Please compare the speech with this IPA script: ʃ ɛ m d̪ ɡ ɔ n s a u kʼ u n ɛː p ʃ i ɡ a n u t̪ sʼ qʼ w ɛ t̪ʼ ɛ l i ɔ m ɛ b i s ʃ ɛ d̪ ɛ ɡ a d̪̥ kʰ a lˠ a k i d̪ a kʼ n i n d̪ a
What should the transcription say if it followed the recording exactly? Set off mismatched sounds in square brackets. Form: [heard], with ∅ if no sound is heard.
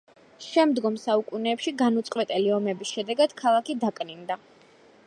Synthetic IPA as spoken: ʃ ɛ m d̪ ɡ ɔ [m] s a u kʼ u n ɛː p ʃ i ɡ a n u t̪ sʼ qʼ w ɛ t̪ʼ ɛ l i ɔ m ɛ b i s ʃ ɛ d̪ ɛ ɡ a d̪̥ kʰ a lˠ a k i d̪ a kʼ n i n d̪ a